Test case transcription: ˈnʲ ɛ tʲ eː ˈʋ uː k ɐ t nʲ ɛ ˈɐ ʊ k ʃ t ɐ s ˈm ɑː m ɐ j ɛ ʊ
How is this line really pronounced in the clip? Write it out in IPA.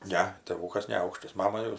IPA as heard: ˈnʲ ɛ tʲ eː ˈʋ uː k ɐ s nʲ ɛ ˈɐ ʊ k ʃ t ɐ s ˈm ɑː m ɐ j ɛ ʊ

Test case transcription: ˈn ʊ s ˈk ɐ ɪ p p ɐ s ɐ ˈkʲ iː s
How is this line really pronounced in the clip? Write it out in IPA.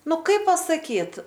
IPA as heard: ˈn ʊ ˈk ɐ ɪ p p ɐ s ɐ ˈkʲ iː t

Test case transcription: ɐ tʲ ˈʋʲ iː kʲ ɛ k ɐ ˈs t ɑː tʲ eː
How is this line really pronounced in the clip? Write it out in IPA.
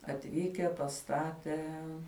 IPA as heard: ɐ tʲ ˈʋʲ iː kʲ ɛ p ɐ ˈs t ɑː tʲ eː

